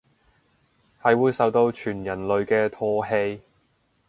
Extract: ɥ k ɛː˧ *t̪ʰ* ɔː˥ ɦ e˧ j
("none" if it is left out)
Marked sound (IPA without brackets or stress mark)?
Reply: t̪ʰ